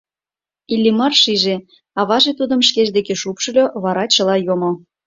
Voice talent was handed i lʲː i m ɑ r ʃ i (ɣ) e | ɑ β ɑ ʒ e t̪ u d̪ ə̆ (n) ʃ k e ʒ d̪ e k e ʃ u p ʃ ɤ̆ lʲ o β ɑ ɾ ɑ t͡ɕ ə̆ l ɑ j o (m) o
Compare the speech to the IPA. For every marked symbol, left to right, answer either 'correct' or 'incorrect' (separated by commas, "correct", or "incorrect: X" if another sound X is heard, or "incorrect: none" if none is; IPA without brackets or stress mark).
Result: incorrect: ʒ, incorrect: m, correct